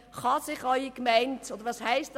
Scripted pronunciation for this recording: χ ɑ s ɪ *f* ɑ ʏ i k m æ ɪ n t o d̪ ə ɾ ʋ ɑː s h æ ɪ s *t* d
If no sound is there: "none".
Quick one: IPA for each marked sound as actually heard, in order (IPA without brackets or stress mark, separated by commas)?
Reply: χ, t